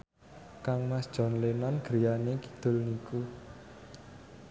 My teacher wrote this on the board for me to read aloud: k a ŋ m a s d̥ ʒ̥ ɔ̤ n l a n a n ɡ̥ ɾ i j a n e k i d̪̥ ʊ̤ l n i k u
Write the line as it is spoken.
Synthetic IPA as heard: k a ŋ m a s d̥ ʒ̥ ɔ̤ n l e n a n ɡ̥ ɾ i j a n e k i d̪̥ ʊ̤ l n i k u